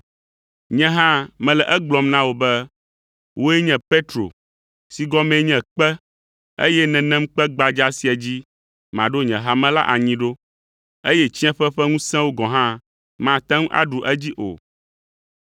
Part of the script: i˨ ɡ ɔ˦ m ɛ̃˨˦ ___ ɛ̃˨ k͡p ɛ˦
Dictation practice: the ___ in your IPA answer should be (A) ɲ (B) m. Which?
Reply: A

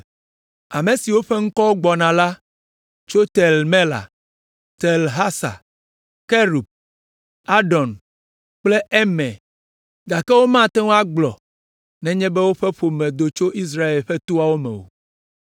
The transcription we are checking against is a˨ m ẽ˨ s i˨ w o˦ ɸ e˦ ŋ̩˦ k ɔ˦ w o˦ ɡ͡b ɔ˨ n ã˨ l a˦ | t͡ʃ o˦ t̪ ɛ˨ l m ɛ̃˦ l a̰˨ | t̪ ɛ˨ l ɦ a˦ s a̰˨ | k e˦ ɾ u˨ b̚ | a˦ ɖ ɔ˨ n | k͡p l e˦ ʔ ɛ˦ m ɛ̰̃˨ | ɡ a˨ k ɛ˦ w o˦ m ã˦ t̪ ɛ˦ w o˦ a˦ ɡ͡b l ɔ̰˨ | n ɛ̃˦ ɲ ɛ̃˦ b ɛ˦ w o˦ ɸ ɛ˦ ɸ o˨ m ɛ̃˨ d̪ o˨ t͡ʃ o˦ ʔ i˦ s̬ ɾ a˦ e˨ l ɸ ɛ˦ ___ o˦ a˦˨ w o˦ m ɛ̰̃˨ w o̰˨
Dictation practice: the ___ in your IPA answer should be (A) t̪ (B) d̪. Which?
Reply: A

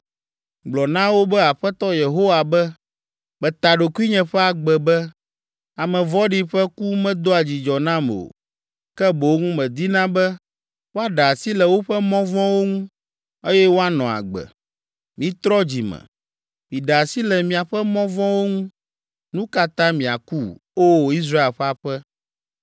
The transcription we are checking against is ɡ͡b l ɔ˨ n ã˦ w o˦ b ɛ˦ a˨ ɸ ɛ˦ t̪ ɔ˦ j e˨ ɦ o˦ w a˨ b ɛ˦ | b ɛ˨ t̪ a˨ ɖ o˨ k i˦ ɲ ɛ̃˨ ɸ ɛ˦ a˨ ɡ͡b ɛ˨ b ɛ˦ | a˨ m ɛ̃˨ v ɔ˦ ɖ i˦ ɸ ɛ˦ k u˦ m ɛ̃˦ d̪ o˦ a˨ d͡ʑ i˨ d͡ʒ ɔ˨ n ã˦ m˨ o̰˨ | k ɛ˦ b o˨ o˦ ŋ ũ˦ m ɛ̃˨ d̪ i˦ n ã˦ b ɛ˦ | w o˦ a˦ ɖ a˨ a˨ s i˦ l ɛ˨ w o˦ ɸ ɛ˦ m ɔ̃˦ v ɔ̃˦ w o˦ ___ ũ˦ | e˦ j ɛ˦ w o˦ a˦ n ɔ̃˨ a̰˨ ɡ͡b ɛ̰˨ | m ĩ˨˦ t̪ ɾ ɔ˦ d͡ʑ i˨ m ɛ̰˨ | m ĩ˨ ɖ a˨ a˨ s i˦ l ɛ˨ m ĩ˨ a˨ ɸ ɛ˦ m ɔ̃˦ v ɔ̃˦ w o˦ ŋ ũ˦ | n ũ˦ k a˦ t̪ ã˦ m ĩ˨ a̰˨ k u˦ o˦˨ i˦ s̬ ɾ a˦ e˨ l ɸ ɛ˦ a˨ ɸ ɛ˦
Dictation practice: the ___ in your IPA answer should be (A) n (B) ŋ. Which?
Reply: B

